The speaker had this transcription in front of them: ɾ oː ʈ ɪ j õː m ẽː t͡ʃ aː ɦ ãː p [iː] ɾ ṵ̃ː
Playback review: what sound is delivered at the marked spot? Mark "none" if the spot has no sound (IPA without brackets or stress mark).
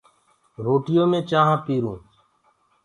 iː